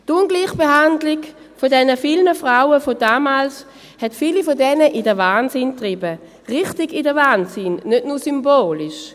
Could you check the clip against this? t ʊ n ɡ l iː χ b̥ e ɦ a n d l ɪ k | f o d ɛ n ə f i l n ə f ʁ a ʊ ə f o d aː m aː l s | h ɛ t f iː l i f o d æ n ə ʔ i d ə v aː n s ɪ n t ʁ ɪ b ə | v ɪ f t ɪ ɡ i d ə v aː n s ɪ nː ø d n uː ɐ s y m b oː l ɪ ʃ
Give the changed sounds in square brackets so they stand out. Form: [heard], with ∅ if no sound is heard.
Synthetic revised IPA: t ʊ n ɡ l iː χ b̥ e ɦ a n d l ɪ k | f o d ɛ n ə f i l n ə f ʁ a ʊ ə f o d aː m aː l s | h ɛ t f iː l i f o d [ɛ] n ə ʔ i d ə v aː n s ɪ n t ʁ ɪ b ə | [ʁ] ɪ [χ] t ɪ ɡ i d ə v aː n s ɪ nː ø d n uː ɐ s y m b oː l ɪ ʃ